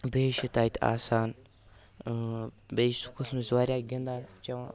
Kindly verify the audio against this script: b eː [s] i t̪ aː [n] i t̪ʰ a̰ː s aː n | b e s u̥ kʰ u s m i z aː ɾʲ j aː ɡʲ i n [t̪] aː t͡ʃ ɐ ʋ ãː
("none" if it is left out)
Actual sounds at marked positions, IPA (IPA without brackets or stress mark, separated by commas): ʃ, none, d̪